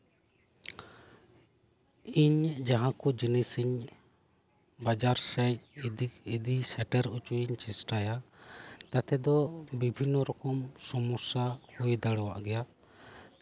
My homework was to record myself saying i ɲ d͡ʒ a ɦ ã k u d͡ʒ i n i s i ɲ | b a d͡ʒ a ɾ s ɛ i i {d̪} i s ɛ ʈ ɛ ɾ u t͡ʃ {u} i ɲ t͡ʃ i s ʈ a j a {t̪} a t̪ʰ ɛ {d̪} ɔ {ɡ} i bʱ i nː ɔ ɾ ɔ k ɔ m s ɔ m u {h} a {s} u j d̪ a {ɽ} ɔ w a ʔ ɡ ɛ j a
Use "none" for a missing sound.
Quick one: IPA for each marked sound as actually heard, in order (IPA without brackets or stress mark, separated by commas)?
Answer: d̪, u, t̪, d̪, b, s, h, ɽ